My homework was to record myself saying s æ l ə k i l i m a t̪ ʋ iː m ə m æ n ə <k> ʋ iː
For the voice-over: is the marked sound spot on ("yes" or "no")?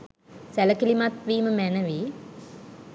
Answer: no